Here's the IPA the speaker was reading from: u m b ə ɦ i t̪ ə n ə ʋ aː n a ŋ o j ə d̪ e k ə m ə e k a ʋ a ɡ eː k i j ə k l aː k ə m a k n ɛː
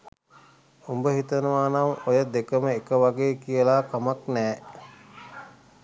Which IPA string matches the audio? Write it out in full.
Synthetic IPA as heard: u m b ə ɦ i t̪ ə n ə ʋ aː n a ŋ o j ə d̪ e k ə m ə e k ə ʋ a ɡ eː k i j ə l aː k a m a k n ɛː